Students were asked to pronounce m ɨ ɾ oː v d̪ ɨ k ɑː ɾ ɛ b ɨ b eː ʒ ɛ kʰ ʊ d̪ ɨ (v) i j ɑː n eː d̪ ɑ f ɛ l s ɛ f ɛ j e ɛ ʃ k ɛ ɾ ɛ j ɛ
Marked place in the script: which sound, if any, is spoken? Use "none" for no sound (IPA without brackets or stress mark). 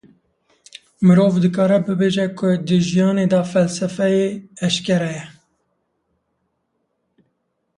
ʒ